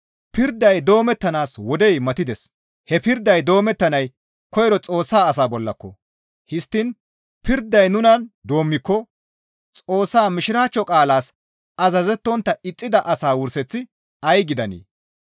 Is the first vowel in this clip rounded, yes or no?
no